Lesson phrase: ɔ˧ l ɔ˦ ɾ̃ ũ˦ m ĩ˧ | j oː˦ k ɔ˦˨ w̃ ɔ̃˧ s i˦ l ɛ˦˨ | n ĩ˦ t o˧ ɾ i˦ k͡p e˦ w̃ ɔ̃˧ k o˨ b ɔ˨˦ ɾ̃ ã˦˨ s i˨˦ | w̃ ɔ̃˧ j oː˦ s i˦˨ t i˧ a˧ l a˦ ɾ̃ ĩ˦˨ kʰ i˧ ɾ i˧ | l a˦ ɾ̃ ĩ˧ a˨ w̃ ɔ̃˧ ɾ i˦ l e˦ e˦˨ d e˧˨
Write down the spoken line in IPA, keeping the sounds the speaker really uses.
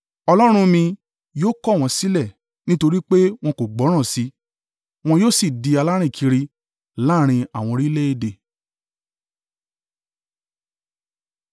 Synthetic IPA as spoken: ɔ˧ l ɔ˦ ɾ̃ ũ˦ m ĩ˧ | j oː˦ k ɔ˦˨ w̃ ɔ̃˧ s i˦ l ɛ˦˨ | n ĩ˦ t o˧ ɾ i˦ k͡p e˦ w̃ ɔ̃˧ k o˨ ɡ͡b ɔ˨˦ ɾ̃ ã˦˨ s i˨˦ | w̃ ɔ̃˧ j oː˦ s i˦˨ d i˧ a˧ l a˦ ɾ̃ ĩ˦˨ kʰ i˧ ɾ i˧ | l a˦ ɾ̃ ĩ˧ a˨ w̃ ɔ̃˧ ɾ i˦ l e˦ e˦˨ d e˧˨